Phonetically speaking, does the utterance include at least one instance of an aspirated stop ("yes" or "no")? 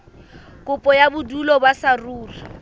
no